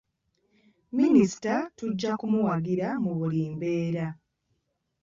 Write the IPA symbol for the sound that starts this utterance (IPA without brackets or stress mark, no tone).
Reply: m